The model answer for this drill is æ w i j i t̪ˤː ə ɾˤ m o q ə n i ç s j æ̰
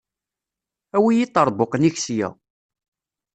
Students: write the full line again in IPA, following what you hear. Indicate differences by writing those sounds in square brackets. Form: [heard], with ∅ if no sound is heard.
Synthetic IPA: æ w i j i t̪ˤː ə ɾˤ [b] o q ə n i ç s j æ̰